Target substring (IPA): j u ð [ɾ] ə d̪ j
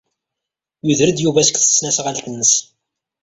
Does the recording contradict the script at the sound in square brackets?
no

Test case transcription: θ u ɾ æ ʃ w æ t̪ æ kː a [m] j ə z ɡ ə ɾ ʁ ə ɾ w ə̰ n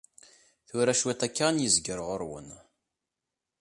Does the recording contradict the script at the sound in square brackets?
yes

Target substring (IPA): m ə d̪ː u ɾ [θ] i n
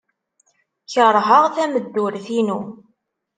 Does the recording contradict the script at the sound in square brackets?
no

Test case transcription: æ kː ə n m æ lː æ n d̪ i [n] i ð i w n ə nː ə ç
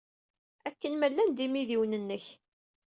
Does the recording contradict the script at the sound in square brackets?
yes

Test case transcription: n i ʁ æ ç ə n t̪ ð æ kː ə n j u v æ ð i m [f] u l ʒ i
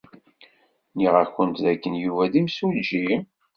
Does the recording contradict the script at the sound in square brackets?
yes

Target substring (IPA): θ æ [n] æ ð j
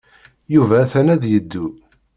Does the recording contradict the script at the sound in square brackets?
no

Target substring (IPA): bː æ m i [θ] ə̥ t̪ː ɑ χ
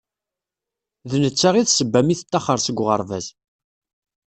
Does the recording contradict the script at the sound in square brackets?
no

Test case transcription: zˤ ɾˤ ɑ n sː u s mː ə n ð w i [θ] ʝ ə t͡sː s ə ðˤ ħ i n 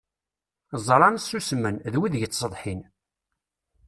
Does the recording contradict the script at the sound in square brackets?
yes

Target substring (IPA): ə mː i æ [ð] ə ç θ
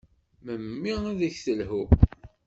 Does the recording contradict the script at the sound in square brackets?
no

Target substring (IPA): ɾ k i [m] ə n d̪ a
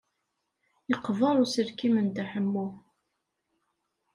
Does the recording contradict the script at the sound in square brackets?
no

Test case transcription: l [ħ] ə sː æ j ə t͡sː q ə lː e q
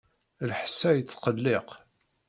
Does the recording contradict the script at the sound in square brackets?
no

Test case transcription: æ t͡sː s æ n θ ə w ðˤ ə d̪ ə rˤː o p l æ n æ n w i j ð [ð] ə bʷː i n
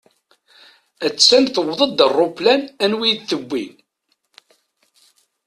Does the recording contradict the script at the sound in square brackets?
yes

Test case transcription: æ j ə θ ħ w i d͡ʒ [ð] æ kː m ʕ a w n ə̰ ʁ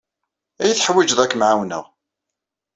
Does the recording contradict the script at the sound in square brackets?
no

